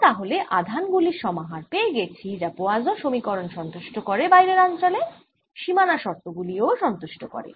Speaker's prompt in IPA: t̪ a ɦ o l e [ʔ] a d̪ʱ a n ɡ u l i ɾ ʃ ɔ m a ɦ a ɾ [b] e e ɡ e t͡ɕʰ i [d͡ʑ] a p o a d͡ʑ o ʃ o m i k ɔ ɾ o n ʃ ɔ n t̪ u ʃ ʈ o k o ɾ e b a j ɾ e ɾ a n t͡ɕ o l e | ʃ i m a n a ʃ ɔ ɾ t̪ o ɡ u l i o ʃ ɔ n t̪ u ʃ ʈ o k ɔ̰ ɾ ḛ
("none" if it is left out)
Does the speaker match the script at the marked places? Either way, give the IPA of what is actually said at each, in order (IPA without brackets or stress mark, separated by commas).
ʔ, p, d͡ʑ